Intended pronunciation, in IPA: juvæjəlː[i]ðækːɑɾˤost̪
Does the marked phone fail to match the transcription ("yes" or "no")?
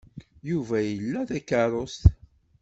yes